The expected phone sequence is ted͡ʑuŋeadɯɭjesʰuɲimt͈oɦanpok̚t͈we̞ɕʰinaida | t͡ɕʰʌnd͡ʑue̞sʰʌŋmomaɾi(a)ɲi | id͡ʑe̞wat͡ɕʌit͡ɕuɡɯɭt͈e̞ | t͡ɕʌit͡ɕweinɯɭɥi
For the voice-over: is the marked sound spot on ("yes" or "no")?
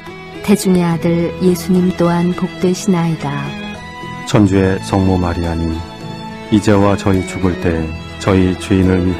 yes